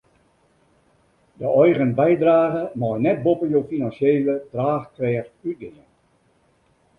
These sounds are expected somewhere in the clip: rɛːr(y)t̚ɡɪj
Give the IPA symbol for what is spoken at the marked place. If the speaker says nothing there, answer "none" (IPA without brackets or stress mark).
y